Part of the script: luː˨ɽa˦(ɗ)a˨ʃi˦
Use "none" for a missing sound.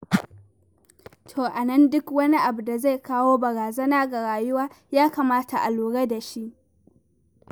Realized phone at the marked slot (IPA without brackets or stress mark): d